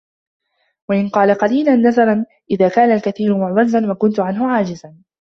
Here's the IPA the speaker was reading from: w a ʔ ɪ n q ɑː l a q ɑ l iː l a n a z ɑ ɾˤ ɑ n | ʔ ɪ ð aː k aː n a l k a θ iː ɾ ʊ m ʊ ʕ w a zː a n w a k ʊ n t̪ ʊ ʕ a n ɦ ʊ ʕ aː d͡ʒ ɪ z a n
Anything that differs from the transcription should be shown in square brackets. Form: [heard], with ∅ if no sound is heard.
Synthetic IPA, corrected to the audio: w a ʔ ɪ n q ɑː l a q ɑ l iː l a [nː] a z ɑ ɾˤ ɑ n | ʔ ɪ ð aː k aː n a l k a θ iː ɾ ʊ m ʊ ʕ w a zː a n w a k ʊ n t̪ ʊ ʕ a n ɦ ʊ ʕ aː d͡ʒ ɪ z a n